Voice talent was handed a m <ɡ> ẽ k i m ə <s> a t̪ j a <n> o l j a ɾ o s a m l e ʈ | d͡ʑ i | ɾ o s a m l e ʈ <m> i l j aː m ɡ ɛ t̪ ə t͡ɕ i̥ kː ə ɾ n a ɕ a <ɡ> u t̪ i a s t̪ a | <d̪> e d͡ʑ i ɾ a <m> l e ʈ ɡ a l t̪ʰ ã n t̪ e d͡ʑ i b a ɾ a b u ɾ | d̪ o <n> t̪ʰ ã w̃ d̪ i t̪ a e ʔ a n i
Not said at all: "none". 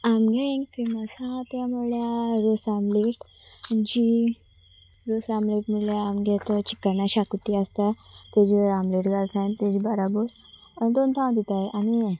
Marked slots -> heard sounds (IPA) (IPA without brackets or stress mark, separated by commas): ɡ, s, m, m, k, t̪, m, n